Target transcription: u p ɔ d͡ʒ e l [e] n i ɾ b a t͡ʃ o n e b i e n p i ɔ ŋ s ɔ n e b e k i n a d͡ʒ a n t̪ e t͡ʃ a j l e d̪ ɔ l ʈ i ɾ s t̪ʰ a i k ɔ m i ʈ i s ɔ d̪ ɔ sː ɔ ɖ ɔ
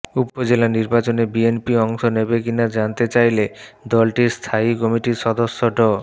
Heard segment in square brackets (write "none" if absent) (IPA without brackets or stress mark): a